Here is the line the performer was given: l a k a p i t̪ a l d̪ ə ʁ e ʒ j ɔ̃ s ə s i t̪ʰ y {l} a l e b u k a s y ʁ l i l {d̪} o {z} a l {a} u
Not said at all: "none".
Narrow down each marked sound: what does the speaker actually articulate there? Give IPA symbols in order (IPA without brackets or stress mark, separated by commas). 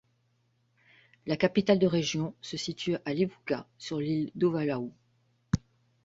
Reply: none, d̪, v, a